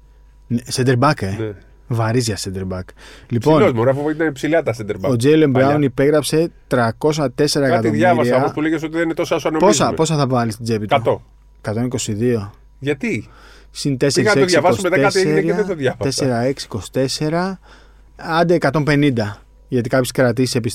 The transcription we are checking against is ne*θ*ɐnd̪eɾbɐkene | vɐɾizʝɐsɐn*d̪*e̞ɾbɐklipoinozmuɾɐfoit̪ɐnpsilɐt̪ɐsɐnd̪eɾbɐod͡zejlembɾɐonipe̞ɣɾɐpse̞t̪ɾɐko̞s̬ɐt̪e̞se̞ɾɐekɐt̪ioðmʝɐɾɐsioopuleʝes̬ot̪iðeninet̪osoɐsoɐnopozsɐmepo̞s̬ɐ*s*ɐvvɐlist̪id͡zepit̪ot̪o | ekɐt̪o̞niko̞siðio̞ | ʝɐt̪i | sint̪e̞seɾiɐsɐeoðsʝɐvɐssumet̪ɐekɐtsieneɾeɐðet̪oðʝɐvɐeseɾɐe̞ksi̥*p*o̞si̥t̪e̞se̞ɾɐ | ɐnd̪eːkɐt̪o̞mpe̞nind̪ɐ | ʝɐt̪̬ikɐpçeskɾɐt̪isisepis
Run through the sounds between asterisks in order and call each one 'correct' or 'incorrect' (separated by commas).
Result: incorrect, correct, incorrect, incorrect